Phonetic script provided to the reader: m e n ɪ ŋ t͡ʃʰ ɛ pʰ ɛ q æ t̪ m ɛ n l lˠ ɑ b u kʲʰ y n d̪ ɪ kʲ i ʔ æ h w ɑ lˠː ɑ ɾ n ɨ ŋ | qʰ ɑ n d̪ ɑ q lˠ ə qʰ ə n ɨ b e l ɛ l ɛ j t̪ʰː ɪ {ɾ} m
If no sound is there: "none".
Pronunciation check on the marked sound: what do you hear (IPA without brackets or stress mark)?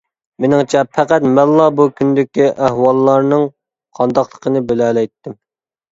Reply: none